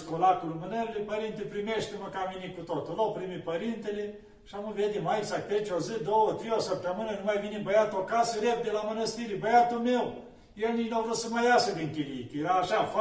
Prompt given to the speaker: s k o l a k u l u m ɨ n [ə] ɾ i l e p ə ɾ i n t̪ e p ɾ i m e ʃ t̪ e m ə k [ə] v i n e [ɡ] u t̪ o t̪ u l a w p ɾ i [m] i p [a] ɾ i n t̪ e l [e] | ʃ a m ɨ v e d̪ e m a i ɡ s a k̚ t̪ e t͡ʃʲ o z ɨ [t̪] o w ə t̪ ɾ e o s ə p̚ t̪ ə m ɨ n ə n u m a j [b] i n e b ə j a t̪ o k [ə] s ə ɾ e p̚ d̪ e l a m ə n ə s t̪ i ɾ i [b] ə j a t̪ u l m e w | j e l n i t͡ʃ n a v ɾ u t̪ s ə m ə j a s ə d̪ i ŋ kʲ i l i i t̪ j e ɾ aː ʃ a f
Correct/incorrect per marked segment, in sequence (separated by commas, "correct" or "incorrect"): correct, incorrect, incorrect, correct, incorrect, correct, incorrect, incorrect, incorrect, correct